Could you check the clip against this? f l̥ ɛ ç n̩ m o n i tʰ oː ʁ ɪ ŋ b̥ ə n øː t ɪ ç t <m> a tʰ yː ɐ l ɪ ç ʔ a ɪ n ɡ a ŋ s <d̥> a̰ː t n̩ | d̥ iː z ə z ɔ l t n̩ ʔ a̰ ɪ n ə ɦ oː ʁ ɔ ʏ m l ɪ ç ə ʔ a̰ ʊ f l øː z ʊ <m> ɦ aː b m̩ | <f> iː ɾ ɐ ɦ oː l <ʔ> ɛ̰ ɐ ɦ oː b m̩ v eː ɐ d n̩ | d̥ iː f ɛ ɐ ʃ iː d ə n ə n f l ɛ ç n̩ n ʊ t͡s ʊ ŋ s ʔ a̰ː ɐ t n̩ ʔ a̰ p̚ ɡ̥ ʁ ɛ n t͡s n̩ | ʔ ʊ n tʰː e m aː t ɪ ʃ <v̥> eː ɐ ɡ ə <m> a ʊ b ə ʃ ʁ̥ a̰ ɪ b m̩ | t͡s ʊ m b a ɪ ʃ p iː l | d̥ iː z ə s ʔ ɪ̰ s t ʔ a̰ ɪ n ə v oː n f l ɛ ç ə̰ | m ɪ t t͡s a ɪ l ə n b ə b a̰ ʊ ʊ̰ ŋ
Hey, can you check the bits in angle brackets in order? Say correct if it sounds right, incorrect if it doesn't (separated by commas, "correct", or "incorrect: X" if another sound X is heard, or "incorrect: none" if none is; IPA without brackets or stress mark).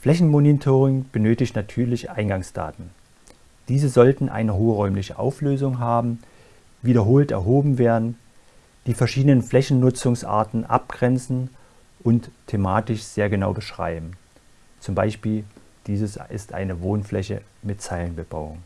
incorrect: n, correct, incorrect: ŋ, incorrect: v, incorrect: t, incorrect: z̥, incorrect: n